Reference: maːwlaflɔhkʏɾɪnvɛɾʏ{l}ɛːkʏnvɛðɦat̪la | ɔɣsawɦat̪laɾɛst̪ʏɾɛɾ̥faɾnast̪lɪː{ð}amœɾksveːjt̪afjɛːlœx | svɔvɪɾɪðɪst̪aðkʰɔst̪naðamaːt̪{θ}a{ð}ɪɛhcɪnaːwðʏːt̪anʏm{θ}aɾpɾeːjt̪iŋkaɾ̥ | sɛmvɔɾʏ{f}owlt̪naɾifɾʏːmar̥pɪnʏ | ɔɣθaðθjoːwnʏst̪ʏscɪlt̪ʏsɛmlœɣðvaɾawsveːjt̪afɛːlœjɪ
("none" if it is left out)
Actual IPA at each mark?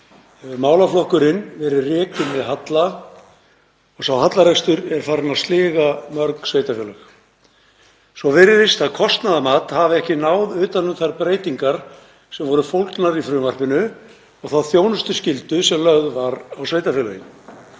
r, ɣ, h, v, θ, f

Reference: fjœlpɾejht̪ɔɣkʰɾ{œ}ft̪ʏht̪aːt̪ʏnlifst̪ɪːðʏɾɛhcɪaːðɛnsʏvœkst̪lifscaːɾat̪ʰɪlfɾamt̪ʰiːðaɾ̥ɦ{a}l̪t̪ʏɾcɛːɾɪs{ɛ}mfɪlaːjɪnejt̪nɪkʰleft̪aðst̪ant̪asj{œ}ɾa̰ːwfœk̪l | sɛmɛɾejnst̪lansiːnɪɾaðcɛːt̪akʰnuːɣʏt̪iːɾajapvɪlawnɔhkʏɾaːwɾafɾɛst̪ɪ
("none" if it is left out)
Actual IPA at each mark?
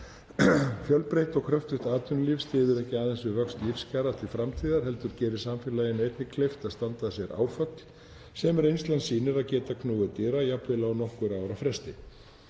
œ, ɛ, a, ɛ

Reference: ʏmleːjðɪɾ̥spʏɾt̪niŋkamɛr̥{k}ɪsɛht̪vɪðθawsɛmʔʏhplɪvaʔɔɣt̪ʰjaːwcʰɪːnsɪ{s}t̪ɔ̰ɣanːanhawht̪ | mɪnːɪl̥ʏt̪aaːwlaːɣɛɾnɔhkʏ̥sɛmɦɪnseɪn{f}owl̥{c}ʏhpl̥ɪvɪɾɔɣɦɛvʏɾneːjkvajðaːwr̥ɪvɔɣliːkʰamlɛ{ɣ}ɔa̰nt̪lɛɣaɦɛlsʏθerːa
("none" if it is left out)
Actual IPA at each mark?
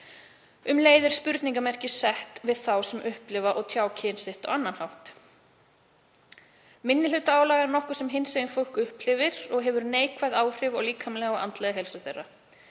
c, h, f, k, ɣ

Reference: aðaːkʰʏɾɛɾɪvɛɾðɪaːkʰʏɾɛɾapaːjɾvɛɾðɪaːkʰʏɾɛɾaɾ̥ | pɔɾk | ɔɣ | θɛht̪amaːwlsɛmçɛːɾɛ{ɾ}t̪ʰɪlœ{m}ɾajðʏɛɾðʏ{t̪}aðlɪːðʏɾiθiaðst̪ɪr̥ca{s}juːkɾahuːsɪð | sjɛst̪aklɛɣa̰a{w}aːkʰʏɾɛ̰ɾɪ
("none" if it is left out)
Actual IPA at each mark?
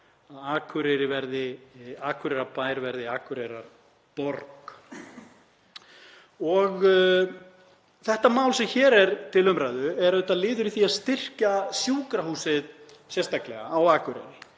ɾ, m, t̪, s, w

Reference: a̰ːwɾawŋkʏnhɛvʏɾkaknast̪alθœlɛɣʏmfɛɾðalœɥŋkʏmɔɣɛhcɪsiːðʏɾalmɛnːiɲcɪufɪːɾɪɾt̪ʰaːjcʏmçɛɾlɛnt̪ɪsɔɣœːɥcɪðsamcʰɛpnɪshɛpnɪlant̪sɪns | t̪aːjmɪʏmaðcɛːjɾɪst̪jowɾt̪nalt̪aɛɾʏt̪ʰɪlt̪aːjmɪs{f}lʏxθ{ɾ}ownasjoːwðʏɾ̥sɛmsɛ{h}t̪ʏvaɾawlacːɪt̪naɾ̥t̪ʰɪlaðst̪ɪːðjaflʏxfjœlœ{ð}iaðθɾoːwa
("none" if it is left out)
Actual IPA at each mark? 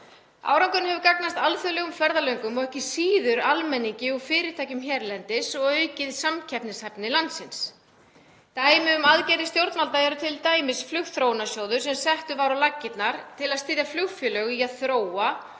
f, ɾ, h, ɣ

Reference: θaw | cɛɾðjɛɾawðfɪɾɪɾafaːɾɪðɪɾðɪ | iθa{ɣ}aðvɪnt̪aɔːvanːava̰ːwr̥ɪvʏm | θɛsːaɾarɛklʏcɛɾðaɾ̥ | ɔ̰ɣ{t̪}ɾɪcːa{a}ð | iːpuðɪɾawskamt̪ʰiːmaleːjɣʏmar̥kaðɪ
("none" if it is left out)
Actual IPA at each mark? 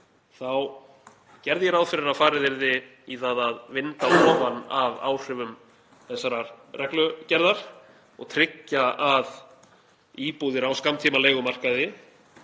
ð, t̪ʰ, a

